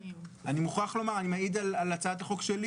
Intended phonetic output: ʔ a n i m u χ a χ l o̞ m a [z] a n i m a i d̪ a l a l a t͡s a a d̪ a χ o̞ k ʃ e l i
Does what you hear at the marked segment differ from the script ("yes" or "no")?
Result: yes